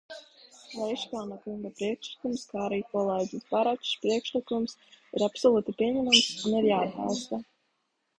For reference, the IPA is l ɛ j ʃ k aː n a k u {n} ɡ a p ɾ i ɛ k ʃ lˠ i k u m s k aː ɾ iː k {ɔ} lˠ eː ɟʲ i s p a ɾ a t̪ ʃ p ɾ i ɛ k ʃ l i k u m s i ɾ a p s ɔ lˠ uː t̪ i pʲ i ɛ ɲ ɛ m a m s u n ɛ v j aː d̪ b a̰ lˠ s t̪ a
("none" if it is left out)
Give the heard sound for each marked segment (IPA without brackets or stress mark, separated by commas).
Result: ŋ, ɔ